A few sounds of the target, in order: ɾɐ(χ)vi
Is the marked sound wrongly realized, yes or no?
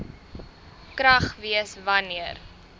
no